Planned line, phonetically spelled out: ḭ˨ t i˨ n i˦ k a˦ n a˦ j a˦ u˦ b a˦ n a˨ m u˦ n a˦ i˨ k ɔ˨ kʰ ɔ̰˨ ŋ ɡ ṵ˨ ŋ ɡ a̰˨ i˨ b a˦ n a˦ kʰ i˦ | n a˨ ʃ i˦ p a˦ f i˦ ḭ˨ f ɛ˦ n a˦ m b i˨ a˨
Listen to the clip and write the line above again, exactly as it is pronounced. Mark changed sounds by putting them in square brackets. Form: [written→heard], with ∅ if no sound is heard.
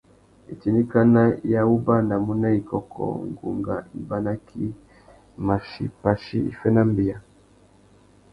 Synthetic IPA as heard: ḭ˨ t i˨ n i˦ k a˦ n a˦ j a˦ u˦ b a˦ n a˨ m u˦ n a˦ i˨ k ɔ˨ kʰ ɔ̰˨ ŋ ɡ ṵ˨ ŋ ɡ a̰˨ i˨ b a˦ n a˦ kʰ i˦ | [n→m] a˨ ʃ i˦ p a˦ [f→ʃ] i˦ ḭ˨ f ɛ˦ n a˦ m b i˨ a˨